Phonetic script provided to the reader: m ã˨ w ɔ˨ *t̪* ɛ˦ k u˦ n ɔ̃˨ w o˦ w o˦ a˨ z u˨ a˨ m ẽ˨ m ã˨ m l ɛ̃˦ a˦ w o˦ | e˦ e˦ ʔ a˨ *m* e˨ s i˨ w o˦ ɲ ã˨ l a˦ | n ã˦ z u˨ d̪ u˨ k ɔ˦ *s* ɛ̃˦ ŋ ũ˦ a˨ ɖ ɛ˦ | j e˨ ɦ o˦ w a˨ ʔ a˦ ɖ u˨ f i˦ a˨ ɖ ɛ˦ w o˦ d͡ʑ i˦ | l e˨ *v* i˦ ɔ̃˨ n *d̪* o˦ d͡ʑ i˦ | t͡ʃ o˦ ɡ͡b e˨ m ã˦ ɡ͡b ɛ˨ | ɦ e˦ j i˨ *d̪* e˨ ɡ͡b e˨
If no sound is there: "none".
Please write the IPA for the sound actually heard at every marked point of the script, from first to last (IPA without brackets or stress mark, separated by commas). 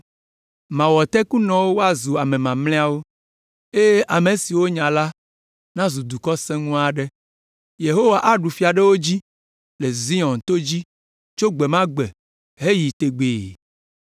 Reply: t̪, m, s, z, t̪, t̪